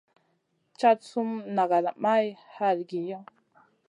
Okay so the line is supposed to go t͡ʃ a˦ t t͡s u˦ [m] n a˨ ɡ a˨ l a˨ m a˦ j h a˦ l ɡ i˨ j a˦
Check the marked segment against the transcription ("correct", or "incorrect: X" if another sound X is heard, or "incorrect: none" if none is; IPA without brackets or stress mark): correct